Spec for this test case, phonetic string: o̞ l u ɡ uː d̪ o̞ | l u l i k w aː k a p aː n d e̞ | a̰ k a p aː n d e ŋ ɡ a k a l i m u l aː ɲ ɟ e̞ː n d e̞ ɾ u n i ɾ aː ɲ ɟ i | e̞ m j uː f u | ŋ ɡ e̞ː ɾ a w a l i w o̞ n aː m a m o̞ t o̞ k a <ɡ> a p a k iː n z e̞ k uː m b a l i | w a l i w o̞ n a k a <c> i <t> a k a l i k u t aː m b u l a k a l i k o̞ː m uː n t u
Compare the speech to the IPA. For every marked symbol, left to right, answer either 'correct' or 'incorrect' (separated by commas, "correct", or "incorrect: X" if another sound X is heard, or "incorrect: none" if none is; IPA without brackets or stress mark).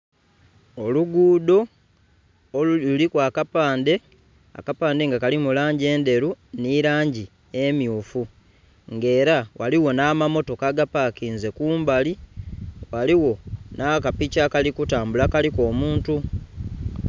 correct, incorrect: p, incorrect: c